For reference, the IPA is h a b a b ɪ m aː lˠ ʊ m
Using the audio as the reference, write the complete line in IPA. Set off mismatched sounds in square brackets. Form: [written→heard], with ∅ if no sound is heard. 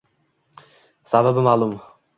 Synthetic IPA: [h→s] a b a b ɪ m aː lˠ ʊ m